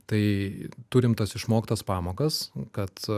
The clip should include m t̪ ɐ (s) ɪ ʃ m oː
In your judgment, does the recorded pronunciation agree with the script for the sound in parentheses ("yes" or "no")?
yes